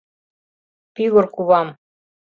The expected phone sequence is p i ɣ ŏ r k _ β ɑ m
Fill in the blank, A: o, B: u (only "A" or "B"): B